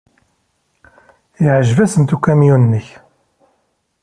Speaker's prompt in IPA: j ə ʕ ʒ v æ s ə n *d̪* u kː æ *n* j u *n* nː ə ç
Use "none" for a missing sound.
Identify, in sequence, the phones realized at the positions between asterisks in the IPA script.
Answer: t̪, m, n

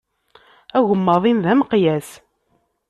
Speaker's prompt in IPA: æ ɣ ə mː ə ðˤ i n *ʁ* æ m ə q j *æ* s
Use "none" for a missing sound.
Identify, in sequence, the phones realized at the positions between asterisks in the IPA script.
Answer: ð, æ

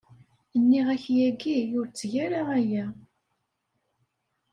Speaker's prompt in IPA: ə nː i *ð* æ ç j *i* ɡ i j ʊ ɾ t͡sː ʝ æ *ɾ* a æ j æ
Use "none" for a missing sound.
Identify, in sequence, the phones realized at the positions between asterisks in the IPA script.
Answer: ʁ, æ, ɾ

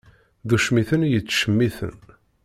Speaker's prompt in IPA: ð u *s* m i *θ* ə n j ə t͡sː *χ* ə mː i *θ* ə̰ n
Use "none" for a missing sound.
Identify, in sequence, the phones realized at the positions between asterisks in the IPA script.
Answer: ʃ, θ, ʃ, θ

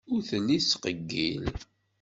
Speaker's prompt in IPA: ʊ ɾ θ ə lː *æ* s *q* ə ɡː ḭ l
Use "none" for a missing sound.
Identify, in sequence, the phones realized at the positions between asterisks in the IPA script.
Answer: i, q

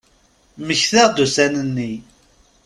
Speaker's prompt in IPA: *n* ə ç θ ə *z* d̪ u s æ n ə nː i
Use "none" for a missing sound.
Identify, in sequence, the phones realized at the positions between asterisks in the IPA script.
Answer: m, ʁ

